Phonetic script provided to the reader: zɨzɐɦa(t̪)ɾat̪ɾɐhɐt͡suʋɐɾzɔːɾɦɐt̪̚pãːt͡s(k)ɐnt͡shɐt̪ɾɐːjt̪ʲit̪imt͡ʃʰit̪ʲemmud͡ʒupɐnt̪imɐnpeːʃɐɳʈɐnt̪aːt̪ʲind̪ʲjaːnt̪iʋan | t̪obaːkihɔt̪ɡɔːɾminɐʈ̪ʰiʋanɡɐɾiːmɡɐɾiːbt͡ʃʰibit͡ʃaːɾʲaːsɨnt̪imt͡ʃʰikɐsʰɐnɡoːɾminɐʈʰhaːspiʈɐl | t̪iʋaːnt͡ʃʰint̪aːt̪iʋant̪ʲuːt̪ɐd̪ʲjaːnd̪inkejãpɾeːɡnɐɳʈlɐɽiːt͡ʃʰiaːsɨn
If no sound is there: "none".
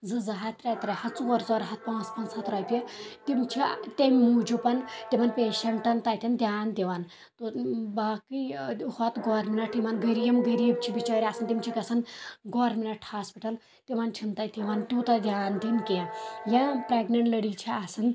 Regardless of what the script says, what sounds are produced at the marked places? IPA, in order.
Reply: t̪, p

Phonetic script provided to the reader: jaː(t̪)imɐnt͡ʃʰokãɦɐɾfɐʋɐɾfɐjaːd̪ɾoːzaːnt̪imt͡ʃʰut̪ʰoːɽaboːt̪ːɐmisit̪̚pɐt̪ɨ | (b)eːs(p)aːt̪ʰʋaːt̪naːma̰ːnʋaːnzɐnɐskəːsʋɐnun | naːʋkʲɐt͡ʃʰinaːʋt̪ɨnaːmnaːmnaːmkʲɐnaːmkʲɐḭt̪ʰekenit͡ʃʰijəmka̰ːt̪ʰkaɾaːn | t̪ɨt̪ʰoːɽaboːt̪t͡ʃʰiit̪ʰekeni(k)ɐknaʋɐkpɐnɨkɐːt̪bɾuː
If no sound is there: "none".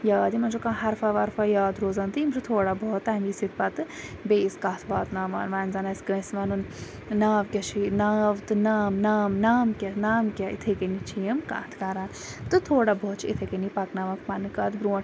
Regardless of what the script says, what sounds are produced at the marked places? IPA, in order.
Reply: d̪, b, k, p

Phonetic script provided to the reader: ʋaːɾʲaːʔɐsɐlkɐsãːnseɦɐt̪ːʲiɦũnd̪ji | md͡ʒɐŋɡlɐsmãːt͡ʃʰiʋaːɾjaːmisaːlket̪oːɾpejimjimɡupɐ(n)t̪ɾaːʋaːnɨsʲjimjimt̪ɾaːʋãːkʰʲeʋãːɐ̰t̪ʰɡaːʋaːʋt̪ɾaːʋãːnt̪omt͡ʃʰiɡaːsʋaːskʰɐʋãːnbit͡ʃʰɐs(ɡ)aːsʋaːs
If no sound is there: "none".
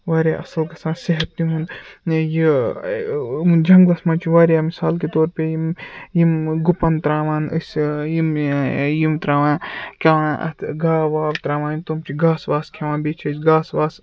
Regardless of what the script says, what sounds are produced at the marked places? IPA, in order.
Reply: n, ɡ

